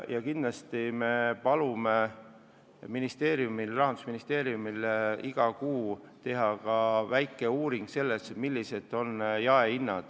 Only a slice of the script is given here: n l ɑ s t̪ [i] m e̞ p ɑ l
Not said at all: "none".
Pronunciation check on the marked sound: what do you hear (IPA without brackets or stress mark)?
i